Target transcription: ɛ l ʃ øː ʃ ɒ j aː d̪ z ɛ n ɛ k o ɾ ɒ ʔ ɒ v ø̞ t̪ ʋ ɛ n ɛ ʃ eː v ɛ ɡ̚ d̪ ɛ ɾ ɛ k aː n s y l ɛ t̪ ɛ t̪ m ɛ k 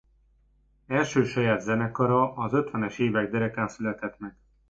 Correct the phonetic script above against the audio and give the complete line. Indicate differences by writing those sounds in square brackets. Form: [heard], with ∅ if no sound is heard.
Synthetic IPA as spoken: ɛ l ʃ øː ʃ ɒ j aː d̪ z ɛ n ɛ k [ɒ] ɾ ɒ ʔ ɒ [z] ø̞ t̪ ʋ ɛ n ɛ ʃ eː v ɛ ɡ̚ d̪ ɛ ɾ ɛ k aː n s y l ɛ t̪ ɛ t̪ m ɛ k

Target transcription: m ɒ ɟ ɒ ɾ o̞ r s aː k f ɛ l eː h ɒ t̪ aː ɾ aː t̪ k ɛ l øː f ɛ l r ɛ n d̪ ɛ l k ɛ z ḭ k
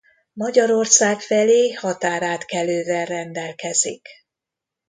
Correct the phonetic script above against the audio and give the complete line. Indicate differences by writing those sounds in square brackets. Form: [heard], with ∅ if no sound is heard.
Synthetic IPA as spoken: m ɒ ɟ ɒ ɾ o̞ r s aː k f ɛ l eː h ɒ t̪ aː ɾ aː t̪ k ɛ l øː [v] ɛ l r ɛ n d̪ ɛ l k ɛ z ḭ k

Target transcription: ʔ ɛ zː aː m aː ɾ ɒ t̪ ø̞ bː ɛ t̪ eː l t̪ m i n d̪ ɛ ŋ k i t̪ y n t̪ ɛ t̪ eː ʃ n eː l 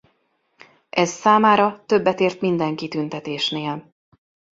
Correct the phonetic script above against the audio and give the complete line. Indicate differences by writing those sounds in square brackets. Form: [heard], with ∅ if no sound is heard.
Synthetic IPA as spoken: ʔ ɛ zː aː m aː ɾ ɒ t̪ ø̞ bː ɛ t̪ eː [r] t̪ m i n d̪ ɛ ŋ k i t̪ y n t̪ ɛ t̪ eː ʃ n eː l

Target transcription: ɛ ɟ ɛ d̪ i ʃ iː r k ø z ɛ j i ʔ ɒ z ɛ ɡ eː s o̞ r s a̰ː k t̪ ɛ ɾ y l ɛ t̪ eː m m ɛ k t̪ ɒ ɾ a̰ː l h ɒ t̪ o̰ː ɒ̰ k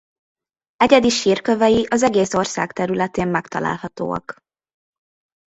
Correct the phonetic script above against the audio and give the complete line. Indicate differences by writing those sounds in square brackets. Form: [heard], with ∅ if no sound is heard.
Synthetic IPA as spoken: ɛ ɟ ɛ d̪ i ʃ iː r k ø [v] ɛ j i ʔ ɒ z ɛ ɡ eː s o̞ r s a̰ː k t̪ ɛ ɾ y l ɛ t̪ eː m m ɛ k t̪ ɒ [l] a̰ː l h ɒ t̪ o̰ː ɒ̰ k

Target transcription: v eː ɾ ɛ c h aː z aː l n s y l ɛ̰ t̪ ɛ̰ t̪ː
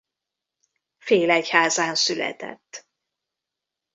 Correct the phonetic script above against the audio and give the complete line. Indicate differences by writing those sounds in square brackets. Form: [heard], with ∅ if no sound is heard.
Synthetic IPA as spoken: [f] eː [l] ɛ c h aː z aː [∅] n s y l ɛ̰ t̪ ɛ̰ t̪ː

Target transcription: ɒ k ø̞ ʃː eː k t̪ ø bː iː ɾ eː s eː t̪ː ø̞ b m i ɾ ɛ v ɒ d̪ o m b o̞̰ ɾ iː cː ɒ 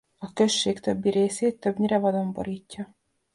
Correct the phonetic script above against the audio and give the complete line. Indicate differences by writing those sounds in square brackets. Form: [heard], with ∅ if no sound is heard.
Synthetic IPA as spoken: ɒ k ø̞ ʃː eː k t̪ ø bː [i] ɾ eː s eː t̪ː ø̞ b [ɲ] i ɾ ɛ v ɒ d̪ o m b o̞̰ ɾ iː cː ɒ

